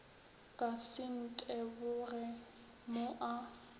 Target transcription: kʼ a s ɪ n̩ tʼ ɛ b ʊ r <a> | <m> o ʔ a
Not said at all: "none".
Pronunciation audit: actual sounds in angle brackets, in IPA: ɛ, m

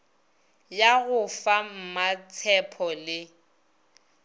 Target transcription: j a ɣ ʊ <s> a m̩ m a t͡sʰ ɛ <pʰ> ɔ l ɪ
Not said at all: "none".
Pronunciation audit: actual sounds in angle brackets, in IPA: f, pʰ

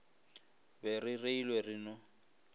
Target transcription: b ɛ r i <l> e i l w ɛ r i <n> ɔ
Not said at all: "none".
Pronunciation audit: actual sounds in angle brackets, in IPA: r, n

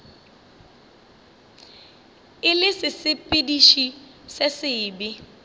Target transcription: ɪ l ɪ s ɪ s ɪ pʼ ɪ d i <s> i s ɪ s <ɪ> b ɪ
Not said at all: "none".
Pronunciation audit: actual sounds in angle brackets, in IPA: ʃ, ɪː

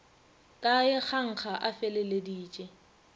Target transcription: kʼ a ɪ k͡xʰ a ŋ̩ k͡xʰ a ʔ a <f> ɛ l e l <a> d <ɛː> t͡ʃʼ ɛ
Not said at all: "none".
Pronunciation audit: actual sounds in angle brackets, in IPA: f, e, iː

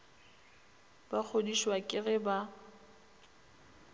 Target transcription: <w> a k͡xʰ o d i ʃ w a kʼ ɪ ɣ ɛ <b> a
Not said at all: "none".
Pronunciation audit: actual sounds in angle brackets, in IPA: b, b

